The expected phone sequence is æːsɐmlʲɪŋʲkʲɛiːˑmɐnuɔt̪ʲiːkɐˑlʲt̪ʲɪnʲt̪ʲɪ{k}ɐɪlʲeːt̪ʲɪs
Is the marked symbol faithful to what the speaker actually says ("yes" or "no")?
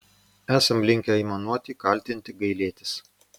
no